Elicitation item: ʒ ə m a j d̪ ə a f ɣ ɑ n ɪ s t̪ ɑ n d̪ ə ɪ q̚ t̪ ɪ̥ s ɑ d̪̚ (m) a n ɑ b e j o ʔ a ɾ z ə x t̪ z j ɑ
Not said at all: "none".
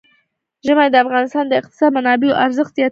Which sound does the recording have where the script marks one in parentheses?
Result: m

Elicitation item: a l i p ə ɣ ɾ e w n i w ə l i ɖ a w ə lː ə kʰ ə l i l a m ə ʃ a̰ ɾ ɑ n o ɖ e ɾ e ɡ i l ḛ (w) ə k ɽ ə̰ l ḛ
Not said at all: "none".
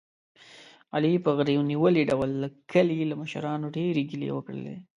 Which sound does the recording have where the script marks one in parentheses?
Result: w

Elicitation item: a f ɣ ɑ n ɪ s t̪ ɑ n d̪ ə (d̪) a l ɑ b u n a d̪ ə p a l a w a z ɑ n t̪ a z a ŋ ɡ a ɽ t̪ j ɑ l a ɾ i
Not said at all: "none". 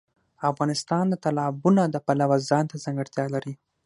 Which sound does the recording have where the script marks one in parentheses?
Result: t̪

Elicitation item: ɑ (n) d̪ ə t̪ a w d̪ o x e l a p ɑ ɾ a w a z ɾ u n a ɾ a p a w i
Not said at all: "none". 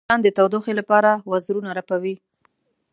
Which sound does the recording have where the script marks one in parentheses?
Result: n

